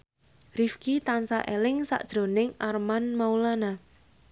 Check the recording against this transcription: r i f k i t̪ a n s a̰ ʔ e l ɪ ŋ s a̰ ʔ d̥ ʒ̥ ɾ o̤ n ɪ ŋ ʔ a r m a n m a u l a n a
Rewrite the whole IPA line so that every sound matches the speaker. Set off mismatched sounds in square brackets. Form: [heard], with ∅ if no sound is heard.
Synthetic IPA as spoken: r i f k i t̪ a n s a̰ ʔ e l ɪ ŋ s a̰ ʔ d̥ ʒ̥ ɾ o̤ n ɪ ŋ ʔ a r m a n m a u l a n a